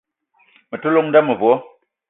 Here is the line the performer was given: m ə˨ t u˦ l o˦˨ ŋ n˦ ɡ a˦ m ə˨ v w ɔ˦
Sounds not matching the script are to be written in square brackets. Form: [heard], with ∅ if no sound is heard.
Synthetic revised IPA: m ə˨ t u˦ l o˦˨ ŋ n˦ [d] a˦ m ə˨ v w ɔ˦